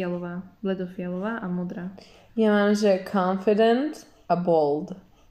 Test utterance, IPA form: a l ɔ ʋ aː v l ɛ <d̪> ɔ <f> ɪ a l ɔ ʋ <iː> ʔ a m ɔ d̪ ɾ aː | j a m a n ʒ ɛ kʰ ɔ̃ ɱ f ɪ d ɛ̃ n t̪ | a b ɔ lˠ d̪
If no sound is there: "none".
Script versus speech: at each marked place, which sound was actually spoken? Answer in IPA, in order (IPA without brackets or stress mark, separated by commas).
d̪, f, aː